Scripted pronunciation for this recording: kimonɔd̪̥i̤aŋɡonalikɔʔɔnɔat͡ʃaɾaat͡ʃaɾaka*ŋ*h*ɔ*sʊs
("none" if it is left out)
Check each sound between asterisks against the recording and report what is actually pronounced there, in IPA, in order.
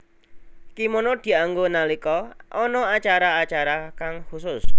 ŋ, u

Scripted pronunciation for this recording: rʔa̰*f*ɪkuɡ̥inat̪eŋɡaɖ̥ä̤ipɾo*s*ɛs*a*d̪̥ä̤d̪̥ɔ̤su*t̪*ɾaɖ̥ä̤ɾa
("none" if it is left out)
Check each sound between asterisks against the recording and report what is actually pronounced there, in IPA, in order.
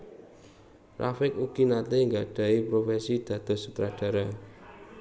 f, f, i, t̪

